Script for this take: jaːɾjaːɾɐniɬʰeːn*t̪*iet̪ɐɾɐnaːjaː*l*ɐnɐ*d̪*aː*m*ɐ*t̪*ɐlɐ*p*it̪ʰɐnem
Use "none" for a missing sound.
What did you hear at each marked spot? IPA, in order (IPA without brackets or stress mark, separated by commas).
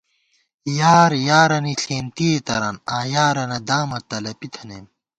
t̪, ɾ, d̪, m, t̪, p